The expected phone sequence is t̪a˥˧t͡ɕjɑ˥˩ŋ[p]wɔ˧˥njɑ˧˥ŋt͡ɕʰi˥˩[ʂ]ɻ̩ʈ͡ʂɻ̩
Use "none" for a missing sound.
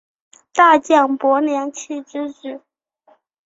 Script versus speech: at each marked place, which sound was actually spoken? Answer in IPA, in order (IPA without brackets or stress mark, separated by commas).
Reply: p, ʈ͡ʂ